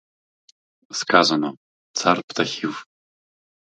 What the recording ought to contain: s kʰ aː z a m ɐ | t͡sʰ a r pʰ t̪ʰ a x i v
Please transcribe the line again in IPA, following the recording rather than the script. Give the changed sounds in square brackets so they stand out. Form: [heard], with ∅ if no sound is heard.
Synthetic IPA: s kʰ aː z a [n] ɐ | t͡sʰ a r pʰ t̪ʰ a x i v